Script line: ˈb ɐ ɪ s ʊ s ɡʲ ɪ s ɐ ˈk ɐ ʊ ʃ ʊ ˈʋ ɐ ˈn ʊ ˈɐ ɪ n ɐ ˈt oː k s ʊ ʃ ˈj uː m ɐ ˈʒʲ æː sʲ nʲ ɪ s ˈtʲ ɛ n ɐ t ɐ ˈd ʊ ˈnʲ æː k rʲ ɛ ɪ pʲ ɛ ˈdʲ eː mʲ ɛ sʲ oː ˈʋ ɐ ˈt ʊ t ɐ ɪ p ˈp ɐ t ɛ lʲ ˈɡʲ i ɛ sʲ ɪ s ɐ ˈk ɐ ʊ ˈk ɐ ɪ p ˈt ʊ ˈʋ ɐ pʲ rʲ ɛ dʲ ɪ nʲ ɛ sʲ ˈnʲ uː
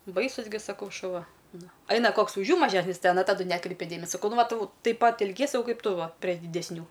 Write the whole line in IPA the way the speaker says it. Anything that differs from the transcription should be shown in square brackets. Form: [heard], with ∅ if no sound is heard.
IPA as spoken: ˈb ɐ ɪ s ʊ s ɡʲ ɪ s ɐ ˈk ɐ ʊ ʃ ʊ ˈʋ ɐ ˈn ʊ ˈɐ ɪ n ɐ [ˈk] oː k s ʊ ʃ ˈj uː m ɐ ˈʒʲ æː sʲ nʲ ɪ s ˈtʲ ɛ n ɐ t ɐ ˈd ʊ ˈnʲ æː k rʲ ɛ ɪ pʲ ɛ ˈdʲ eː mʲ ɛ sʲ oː ˈʋ ɐ ˈt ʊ t ɐ ɪ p ˈp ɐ t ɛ lʲ ˈɡʲ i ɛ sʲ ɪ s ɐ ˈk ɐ ʊ ˈk ɐ ɪ p ˈt ʊ ˈʋ ɐ pʲ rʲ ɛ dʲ ɪ [dʲ] ɛ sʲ ˈnʲ uː

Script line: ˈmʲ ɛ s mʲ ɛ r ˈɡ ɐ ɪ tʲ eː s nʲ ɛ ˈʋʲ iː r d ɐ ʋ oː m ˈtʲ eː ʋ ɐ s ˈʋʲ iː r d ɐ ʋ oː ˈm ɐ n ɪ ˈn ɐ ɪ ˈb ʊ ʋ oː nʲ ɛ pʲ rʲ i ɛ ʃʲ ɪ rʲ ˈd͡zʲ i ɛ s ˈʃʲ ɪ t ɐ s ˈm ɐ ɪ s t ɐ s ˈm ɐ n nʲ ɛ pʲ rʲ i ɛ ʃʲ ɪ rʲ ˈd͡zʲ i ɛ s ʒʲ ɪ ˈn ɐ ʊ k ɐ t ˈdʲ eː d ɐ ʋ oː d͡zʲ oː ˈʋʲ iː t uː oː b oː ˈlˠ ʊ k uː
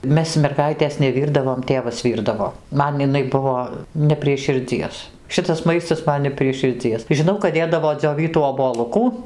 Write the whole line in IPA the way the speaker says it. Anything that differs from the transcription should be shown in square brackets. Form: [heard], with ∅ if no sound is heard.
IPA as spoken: ˈmʲ ɛ s mʲ ɛ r ˈɡ ɐ ɪ tʲ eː s nʲ ɛ ˈʋʲ iː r d ɐ ʋ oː m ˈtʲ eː ʋ ɐ s ˈʋʲ iː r d ɐ ʋ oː ˈm ɐ n ɪ ˈn ɐ ɪ ˈb ʊ ʋ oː nʲ ɛ pʲ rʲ i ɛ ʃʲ ɪ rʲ ˈd͡zʲ i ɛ s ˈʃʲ ɪ t ɐ s ˈm ɐ ɪ s t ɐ s ˈm ɐ n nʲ ɛ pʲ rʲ i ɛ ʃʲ ɪ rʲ ˈd͡zʲ i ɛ s ʒʲ ɪ ˈn ɐ ʊ k ɐ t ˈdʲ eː d ɐ ʋ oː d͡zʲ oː ˈʋʲ iː t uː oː b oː ˈlˠ ʊ k uː

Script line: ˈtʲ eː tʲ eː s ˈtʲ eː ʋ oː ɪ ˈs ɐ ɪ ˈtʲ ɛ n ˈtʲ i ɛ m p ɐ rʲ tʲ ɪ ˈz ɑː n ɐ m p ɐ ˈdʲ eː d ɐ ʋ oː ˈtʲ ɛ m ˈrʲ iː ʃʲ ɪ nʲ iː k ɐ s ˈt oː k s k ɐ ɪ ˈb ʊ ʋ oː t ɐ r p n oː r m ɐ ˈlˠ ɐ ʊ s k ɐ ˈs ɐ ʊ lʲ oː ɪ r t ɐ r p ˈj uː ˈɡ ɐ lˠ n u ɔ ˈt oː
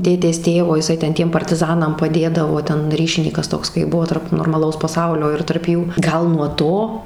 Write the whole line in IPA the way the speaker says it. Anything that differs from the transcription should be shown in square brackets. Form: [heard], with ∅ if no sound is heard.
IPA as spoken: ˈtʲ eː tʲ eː s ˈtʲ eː ʋ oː ɪ ˈs ɐ ɪ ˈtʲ ɛ n ˈtʲ i ɛ m p ɐ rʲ tʲ ɪ ˈz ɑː n ɐ m p ɐ ˈdʲ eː d ɐ ʋ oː ˈtʲ ɛ [n] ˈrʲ iː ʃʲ ɪ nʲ iː k ɐ s ˈt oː k s k ɐ ɪ ˈb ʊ ʋ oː t ɐ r p n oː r m ɐ ˈlˠ ɐ ʊ s [p] ɐ ˈs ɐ ʊ lʲ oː ɪ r t ɐ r p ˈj uː ˈɡ ɐ lˠ n u ɔ ˈt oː

